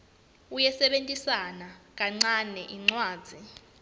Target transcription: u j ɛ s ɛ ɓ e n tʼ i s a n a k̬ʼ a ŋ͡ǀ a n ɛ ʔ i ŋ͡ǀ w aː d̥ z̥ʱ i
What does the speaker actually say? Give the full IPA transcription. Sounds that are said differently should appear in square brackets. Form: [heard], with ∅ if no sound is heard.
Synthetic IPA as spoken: u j ɛ s ɛ ɓ e n tʼ i s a n a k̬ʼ a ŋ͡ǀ a n ɛ ʔ i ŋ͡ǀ w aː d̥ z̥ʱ i